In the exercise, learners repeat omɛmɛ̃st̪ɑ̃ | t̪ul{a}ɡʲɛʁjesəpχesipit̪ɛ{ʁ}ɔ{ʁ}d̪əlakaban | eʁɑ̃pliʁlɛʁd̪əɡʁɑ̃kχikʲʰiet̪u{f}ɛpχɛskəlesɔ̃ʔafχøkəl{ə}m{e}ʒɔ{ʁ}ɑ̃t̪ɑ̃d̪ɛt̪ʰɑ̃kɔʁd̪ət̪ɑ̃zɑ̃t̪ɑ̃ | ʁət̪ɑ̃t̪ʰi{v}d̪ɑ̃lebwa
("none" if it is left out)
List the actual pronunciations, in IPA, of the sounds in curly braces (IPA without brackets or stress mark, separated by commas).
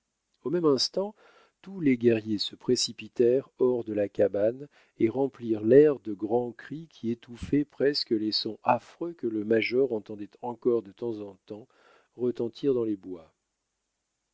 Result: e, ʁ, ʁ, f, ə, a, ʁ, ʁ